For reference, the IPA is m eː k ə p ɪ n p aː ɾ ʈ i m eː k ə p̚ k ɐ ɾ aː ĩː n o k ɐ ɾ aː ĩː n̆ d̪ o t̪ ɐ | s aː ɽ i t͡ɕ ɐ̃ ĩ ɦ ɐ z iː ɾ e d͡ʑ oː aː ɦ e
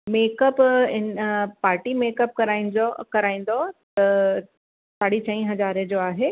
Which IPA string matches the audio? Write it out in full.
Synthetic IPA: m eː k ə p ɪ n p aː ɾ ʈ i m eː k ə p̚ k ɐ ɾ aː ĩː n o k ɐ ɾ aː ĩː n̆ d̪ o t̪ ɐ | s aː ɽ i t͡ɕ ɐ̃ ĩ ɦ ɐ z aː ɾ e d͡ʑ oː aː ɦ e

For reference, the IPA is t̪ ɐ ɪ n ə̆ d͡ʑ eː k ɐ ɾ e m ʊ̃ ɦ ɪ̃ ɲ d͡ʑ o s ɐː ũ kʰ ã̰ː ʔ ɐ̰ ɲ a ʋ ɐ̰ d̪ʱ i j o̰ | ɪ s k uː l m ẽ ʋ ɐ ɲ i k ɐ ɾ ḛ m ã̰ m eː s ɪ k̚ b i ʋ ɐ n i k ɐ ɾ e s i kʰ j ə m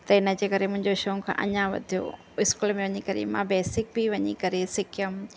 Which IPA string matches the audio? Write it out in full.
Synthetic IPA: t̪ ɐ ɪ n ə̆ d͡ʑ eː k ɐ ɾ e m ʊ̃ ɦ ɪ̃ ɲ d͡ʑ o ʃ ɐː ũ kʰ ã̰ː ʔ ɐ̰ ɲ a ʋ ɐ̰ d̪ʱ i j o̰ | ɪ s k uː l m ẽ ʋ ɐ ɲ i k ɐ ɾ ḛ m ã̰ b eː s ɪ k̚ b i ʋ ɐ ɲ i k ɐ ɾ e s ɪ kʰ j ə m

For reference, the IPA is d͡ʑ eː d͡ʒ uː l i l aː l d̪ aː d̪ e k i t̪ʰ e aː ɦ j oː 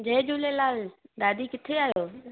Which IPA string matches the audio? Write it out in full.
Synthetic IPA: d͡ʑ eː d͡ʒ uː l e l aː l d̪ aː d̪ i k ɪ t̪ʰ e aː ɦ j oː

